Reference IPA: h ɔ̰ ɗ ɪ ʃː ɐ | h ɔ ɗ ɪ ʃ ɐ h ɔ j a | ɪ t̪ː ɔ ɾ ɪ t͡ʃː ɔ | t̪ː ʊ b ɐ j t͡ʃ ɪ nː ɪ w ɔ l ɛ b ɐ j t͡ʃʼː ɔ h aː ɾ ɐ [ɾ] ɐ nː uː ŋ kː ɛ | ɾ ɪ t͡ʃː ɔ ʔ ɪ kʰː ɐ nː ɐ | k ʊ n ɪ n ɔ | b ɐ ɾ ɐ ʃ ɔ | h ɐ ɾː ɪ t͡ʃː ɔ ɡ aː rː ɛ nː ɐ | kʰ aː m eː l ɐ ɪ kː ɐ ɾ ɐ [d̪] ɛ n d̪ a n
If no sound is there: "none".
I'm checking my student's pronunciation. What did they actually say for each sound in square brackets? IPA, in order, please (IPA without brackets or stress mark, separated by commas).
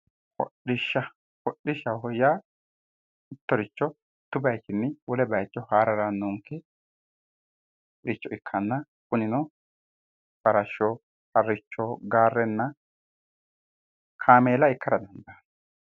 ɾ, d̪